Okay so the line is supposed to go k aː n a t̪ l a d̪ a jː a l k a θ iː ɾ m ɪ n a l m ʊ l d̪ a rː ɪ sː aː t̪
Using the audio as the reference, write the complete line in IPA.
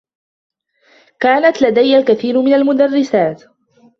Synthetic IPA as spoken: k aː n a t̪ l a d̪ a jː a l k a θ iː ɾ m ɪ n a l m ʊ d̪ a rː ɪ s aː t̪

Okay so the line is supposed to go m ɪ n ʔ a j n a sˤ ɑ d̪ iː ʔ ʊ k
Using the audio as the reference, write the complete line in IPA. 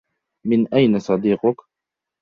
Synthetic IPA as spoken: m ɪ n ʔ a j n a sˤ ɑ d̪ iː q ʊ k

